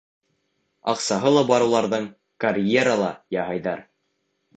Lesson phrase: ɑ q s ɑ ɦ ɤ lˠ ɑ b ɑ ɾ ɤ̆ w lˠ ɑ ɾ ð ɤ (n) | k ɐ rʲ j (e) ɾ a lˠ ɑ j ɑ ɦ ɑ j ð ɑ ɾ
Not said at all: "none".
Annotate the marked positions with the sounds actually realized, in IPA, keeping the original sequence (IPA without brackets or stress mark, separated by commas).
ɴ, e